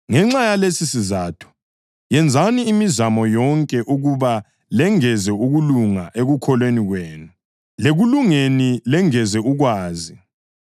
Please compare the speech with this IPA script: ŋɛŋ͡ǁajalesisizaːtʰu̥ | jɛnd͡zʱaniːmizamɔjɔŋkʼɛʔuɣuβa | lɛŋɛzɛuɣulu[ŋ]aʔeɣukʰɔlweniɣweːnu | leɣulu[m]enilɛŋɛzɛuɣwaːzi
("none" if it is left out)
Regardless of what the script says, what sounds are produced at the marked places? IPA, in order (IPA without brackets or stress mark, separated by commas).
ŋ, ŋ